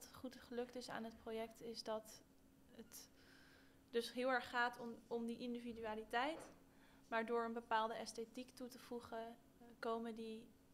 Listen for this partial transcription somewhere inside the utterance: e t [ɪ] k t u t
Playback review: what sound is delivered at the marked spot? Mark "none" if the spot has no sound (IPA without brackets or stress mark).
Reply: i